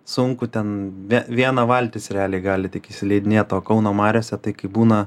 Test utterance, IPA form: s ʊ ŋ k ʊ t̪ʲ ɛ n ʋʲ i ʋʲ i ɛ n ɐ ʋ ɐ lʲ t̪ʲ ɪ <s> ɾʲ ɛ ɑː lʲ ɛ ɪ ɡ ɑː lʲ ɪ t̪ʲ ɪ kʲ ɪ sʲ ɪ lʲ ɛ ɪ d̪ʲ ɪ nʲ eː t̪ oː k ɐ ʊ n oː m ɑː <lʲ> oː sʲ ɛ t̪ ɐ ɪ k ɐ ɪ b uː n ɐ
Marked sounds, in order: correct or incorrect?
correct, incorrect: ɾʲ

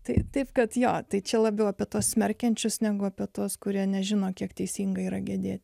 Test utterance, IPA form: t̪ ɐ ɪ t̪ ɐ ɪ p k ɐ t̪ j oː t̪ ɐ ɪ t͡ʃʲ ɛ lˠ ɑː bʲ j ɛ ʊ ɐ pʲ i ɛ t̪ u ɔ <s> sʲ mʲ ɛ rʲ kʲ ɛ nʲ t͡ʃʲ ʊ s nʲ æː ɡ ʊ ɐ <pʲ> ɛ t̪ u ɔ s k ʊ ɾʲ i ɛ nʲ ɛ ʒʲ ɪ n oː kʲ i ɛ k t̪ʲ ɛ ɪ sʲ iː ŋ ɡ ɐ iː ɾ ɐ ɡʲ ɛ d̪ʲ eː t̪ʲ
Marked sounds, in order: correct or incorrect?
correct, correct

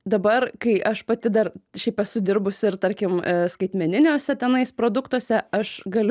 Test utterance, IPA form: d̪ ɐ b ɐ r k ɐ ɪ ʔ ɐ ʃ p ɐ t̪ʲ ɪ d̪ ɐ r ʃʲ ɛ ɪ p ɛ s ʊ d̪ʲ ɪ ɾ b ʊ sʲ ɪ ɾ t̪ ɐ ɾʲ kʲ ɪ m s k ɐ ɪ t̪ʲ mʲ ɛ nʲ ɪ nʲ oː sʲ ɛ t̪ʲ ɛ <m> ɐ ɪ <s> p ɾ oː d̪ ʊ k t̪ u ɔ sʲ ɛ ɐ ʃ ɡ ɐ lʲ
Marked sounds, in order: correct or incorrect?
incorrect: n, correct

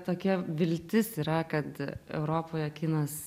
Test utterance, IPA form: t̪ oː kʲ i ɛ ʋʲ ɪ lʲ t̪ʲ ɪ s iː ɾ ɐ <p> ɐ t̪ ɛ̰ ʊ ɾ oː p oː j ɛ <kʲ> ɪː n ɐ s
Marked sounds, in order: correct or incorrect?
incorrect: k, correct

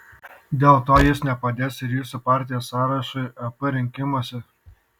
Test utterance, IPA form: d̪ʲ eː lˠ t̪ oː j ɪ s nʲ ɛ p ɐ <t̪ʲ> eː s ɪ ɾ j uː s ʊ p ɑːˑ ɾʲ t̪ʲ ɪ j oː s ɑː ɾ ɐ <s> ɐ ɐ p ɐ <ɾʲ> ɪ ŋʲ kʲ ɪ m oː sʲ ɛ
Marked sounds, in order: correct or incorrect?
incorrect: d̪ʲ, incorrect: ʃ, correct

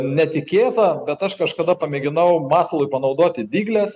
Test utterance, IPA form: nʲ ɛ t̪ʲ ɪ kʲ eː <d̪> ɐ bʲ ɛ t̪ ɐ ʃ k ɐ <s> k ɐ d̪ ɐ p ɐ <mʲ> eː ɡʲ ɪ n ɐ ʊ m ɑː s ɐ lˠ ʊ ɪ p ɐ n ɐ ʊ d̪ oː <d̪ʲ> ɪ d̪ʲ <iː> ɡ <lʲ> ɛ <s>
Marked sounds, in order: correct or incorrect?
incorrect: t̪, incorrect: ʃ, correct, incorrect: t̪ʲ, correct, correct, correct

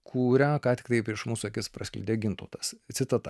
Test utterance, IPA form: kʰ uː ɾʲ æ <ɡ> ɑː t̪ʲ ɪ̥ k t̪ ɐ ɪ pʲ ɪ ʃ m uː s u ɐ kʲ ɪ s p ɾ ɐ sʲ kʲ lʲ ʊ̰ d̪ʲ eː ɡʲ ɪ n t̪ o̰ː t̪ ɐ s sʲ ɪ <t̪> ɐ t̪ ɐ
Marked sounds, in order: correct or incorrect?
incorrect: k, correct

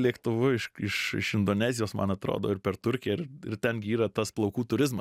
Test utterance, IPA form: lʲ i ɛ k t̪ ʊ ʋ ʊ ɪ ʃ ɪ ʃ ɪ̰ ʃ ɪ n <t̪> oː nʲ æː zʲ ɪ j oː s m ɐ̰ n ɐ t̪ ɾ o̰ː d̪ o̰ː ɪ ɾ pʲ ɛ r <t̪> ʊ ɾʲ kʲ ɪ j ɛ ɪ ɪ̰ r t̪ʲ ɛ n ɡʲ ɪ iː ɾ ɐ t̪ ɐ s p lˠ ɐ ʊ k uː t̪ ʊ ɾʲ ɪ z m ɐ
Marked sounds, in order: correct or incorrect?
incorrect: d̪, correct

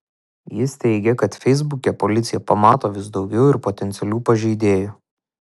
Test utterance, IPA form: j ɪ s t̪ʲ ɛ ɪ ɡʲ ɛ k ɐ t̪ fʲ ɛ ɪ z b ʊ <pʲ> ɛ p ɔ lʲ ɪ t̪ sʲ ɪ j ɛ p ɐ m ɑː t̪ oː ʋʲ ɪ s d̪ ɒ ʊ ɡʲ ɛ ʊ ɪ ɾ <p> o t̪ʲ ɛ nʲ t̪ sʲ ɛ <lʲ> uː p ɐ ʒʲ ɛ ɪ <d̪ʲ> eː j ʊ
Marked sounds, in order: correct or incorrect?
incorrect: kʲ, correct, correct, correct

